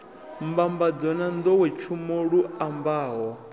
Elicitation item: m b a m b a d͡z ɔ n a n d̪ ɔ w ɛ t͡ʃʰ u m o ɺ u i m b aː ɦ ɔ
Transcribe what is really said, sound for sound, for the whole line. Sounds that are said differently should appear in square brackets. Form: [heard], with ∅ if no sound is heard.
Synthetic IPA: m b a m b a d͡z ɔ n a n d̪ ɔ w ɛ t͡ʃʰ u m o ɺ u [a] m b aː ɦ ɔ